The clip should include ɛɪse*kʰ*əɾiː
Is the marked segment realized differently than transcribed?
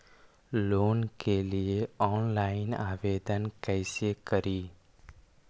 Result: yes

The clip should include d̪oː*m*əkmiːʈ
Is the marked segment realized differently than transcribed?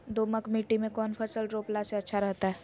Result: no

